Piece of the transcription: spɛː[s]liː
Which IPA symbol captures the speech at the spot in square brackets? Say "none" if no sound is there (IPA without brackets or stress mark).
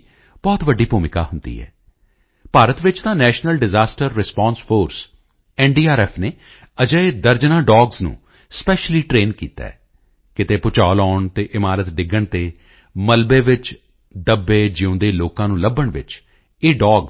ʃ